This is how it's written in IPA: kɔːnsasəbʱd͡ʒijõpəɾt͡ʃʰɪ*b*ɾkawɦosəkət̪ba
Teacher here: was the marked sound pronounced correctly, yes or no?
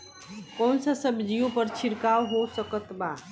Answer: no